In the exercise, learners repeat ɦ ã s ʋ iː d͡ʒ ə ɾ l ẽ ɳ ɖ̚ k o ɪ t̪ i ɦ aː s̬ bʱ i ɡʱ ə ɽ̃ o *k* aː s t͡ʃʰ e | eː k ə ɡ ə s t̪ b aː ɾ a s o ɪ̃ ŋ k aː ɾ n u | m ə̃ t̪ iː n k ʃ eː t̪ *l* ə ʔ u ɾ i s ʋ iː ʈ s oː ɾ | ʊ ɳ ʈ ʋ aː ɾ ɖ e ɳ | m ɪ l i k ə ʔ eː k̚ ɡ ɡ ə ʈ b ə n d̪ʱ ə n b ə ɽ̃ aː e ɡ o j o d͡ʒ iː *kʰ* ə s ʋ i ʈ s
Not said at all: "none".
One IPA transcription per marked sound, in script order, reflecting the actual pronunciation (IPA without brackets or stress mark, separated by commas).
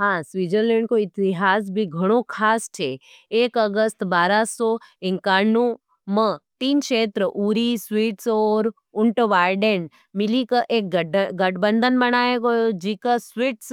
kʰ, ɾ, k